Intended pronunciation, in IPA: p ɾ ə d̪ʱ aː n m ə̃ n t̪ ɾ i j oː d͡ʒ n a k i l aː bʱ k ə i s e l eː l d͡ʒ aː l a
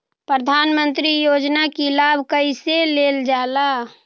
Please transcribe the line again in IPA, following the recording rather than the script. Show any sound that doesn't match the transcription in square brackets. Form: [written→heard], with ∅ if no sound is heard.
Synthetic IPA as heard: p ɾ ə d̪ʱ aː n m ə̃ n t̪ ɾ i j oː d͡ʒ n a k i l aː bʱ k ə i s e l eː l d͡ʒ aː l a